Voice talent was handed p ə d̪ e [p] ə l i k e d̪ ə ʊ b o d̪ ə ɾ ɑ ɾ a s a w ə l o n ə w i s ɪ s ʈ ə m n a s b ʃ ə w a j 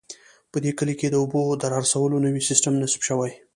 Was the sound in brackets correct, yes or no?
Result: no